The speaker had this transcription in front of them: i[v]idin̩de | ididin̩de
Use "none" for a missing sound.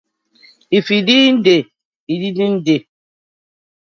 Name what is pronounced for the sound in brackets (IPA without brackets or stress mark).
f